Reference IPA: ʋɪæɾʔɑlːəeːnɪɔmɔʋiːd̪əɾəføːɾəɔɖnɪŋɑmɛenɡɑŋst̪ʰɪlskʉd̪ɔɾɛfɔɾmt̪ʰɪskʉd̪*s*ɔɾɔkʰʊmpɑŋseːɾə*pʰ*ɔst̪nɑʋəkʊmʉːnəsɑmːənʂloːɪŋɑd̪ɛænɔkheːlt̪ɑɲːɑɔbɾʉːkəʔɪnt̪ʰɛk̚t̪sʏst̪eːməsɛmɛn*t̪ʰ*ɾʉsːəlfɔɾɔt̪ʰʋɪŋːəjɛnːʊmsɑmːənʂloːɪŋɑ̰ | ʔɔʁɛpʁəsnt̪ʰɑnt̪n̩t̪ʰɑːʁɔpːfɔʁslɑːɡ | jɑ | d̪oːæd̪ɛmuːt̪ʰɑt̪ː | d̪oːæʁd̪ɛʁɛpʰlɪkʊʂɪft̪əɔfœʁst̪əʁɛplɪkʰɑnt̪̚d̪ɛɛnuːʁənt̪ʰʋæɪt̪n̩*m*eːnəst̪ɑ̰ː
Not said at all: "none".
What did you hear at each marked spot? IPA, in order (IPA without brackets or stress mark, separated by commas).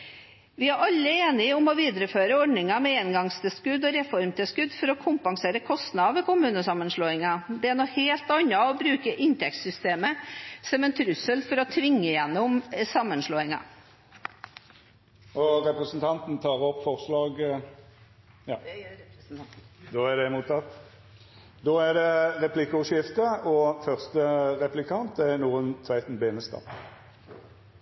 f, kʰ, t̪ʰ, b